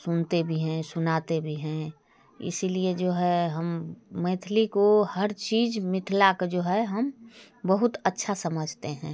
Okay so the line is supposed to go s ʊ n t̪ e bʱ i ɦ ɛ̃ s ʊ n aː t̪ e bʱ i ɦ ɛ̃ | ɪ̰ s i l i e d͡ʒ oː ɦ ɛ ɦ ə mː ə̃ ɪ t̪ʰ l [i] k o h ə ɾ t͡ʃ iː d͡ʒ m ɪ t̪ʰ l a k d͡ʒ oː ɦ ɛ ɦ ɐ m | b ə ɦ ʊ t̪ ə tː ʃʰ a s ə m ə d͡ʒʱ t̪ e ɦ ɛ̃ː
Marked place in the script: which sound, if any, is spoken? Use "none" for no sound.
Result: i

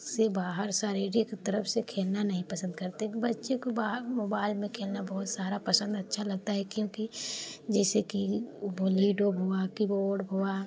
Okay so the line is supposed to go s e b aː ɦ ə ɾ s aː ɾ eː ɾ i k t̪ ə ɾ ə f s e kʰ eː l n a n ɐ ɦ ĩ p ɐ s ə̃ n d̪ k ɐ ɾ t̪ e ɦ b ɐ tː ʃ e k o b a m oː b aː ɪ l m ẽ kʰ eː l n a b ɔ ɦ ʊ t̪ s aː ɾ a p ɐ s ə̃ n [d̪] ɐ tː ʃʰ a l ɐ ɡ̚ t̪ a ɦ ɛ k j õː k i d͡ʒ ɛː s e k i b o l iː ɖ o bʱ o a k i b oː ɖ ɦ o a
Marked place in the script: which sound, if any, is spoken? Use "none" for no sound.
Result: d̪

